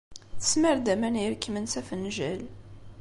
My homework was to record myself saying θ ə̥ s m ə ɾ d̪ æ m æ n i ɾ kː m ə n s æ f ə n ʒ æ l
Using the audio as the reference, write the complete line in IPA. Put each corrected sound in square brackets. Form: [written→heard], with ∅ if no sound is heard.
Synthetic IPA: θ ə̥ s m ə ɾ d̪ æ m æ n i ɾ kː m ə n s æ f ə n ʒ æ l